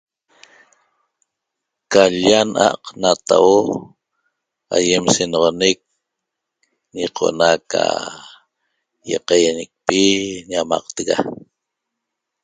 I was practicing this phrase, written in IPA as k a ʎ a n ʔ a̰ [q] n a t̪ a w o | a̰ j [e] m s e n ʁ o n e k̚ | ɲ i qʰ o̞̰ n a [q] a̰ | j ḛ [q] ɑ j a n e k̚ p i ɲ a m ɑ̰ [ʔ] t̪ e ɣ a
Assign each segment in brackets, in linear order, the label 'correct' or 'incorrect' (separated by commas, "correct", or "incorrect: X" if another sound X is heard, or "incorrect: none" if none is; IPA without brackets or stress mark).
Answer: correct, correct, incorrect: k, correct, incorrect: q